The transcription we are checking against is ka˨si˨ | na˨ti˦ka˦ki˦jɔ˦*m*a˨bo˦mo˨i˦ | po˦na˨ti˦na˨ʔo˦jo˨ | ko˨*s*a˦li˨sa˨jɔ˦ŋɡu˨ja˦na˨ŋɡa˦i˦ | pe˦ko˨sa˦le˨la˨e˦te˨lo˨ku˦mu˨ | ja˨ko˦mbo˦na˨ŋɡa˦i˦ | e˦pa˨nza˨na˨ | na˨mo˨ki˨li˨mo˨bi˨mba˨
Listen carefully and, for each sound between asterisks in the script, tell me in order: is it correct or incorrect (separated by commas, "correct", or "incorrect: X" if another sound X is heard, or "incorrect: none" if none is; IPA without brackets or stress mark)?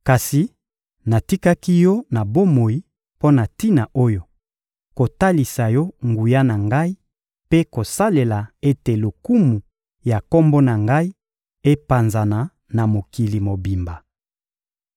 incorrect: n, incorrect: t